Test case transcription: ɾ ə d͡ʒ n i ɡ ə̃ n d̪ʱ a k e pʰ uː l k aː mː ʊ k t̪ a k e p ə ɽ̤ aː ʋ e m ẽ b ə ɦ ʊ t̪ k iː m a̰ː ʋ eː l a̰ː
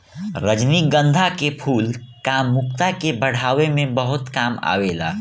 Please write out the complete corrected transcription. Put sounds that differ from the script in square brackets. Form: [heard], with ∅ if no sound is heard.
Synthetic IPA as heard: ɾ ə d͡ʒ n i ɡ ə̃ n d̪ʱ a k e pʰ uː l k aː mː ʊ k t̪ a k e [b] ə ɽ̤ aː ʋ e m ẽ b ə ɦ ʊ t̪ k [aː] m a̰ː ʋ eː l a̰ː